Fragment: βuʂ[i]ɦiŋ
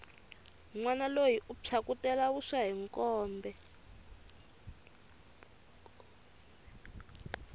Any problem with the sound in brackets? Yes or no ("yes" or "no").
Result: yes